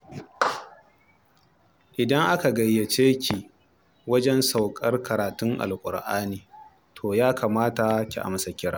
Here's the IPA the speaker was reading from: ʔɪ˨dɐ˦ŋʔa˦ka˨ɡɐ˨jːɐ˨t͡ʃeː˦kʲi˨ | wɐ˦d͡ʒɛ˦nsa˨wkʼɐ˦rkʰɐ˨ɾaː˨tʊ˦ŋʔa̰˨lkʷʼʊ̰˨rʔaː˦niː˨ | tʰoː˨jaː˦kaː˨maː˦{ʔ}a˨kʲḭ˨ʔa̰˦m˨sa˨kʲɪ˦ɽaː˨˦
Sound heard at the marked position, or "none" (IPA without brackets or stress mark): t